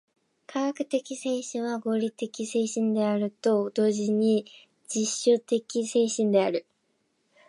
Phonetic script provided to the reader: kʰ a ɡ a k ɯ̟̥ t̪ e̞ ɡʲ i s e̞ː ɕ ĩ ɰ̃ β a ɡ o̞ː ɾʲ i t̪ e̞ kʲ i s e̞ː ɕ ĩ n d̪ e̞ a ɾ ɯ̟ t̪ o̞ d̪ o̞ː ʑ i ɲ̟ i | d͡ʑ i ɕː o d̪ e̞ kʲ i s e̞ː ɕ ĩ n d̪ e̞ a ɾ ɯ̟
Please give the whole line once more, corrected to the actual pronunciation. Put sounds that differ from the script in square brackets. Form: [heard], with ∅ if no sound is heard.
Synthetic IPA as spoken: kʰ a ɡ a k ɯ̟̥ t̪ e̞ [kʲ] i s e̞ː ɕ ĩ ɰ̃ β a ɡ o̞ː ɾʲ i t̪ e̞ kʲ i s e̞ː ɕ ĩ n d̪ e̞ a ɾ ɯ̟ t̪ o̞ d̪ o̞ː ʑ i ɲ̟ i | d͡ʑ i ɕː o [t̪] e̞ kʲ i s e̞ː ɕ ĩ n d̪ e̞ a ɾ ɯ̟